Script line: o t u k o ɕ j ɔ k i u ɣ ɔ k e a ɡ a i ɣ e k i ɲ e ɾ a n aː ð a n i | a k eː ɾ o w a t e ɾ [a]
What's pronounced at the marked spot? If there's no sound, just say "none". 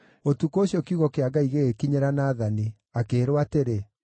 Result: e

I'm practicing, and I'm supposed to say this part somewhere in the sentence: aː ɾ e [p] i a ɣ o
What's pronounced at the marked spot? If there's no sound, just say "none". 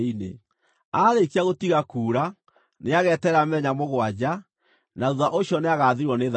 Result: k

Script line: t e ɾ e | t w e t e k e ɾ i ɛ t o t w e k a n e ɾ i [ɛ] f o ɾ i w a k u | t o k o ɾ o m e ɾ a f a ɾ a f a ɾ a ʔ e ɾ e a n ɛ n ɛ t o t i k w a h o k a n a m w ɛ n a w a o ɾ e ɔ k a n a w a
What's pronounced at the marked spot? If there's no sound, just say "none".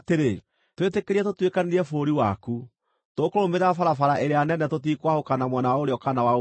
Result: ɛ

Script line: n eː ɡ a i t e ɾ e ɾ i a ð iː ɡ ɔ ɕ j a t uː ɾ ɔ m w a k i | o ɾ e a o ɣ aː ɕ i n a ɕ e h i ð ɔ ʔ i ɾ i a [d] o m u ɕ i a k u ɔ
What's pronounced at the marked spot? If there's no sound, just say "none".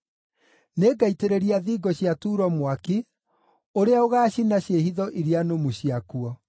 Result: n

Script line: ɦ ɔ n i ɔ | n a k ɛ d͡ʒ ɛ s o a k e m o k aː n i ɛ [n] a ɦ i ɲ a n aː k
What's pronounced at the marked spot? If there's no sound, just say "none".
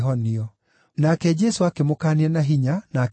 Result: n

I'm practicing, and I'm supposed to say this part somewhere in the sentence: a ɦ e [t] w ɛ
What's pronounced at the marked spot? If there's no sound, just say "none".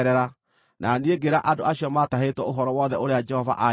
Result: t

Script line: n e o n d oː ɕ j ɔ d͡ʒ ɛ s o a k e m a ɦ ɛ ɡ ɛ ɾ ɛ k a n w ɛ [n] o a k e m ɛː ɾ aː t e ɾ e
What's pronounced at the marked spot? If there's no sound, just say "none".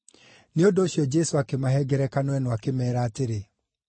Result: n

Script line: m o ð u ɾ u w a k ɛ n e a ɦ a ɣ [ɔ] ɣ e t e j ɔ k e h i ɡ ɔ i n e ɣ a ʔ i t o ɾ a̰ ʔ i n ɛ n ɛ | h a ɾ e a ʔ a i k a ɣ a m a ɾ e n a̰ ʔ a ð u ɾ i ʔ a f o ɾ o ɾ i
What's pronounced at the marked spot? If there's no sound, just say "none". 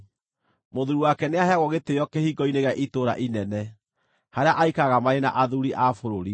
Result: ɔ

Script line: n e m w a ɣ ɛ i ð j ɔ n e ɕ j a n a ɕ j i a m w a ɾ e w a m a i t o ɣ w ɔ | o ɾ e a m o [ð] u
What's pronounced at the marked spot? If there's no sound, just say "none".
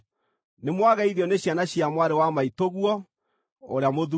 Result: ð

